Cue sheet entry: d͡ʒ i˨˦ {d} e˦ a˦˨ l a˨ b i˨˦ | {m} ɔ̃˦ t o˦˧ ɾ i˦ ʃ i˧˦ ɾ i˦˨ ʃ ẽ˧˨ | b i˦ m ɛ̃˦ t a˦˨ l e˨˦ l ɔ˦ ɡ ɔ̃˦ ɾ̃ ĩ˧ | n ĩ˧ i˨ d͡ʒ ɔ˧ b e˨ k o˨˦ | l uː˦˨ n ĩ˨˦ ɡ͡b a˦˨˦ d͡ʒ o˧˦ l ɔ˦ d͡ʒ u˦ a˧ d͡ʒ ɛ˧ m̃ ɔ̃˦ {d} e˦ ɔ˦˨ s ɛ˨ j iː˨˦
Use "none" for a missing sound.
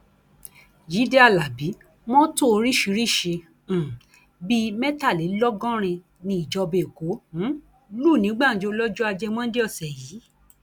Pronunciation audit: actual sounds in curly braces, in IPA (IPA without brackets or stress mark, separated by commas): d, m, d